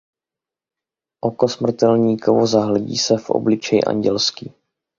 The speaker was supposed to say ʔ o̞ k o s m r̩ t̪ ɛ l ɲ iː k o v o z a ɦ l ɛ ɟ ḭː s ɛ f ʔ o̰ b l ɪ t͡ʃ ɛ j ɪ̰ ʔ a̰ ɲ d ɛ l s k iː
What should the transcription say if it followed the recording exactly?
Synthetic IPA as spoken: ʔ o̞ k o s m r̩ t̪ ɛ l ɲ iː k o v o z a ɦ l ɛ ɟ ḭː s ɛ f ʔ o̰ b l ɪ t͡ʃ ɛ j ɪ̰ ʔ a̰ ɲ ɟ ɛ l s k iː